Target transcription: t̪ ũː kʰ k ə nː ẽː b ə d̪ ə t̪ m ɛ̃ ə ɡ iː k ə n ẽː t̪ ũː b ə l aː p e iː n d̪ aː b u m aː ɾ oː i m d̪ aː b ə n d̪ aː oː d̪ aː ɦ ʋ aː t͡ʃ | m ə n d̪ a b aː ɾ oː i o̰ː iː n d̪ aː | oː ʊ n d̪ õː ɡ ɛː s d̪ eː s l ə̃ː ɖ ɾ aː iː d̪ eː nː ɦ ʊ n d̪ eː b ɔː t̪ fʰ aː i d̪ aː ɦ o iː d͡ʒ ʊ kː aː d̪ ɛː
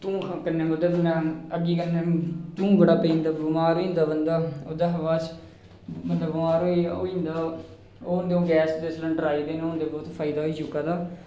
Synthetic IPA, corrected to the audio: t̪ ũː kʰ k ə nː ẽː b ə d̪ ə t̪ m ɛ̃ ə ɡ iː k ə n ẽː t̪ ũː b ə ɽ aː p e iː n d̪ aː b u m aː ɾ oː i n d̪ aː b ə n d̪ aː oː d̪ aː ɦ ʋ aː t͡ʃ | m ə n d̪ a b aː ɾ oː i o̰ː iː n d̪ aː | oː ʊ n d̪ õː ɡ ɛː s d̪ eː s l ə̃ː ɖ ɾ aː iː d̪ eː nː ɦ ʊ n d̪ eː b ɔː t̪ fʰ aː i d̪ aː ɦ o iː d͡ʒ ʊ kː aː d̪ aː

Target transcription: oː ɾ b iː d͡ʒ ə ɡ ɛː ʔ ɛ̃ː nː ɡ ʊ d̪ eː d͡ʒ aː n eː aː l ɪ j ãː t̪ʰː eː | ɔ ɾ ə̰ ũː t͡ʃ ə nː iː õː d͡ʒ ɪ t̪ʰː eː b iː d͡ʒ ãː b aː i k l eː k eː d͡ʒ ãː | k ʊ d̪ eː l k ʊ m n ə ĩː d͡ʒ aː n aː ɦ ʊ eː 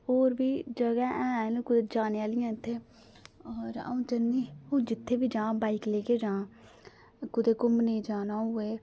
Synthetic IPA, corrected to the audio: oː ɾ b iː d͡ʒ ə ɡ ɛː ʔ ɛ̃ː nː k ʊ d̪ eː d͡ʒ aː n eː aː l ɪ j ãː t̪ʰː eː | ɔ ɾ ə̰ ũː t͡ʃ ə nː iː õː d͡ʒ ɪ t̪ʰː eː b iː d͡ʒ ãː b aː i k l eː k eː d͡ʒ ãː | k ʊ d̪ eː k ʊ m n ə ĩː d͡ʒ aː n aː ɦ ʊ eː

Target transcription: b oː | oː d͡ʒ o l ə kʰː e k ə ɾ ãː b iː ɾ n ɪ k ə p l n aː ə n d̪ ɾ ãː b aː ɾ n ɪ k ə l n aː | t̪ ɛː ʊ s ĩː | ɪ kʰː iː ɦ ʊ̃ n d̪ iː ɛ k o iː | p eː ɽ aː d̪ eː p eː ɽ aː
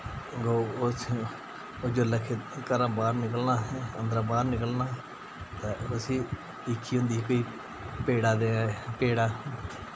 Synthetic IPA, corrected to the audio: ɡ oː | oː d͡ʒ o l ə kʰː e k ə ɾ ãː b aː ɾ n ɪ k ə l n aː ə n d̪ ɾ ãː b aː ɾ n ɪ k ə l n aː | t̪ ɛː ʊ s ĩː | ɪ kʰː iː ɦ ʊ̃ n d̪ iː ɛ k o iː | p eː ɽ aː d̪ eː p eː ɽ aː

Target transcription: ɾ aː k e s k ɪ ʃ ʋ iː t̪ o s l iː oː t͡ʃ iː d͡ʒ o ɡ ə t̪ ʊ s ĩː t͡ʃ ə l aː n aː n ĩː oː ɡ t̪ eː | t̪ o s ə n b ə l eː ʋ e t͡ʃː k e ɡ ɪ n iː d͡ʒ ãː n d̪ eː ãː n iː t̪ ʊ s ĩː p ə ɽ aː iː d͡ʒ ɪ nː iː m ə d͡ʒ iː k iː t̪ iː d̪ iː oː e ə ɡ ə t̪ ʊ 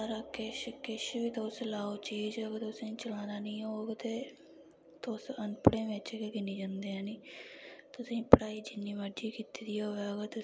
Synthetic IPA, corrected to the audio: ɾ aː k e ʃ k ɪ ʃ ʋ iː t̪ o s l aː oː t͡ʃ iː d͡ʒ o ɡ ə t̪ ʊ s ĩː t͡ʃ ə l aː n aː n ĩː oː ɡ t̪ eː | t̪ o s ə n p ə ɽ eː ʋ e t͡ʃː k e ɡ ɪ n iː d͡ʒ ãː n d̪ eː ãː n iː t̪ ʊ s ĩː p ə ɽ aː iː d͡ʒ ɪ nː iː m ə d͡ʒ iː k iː t̪ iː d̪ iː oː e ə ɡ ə t̪ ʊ

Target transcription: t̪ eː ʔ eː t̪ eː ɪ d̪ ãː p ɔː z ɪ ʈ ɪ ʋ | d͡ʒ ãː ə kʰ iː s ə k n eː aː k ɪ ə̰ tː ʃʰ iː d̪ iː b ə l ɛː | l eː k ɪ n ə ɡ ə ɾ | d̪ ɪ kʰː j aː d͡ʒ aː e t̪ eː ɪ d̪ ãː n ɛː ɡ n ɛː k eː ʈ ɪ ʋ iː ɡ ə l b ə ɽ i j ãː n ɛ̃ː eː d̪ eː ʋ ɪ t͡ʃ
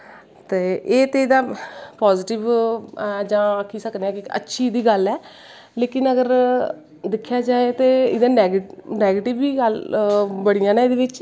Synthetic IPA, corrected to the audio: t̪ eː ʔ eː t̪ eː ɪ d̪ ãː p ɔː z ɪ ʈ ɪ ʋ | d͡ʒ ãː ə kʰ iː s ə k n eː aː k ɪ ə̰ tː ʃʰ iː d̪ iː ɡ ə l ɛː | l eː k ɪ n ə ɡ ə ɾ | d̪ ɪ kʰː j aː d͡ʒ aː e t̪ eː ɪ d̪ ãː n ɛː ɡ n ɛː ɡ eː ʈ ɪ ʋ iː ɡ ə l b ə ɽ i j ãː n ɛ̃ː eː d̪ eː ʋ ɪ t͡ʃ

